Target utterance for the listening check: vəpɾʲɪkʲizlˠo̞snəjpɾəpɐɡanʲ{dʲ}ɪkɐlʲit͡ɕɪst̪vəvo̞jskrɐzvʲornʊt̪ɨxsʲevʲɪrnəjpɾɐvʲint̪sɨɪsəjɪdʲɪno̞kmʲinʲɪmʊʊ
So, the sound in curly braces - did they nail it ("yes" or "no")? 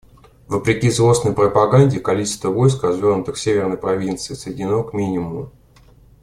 yes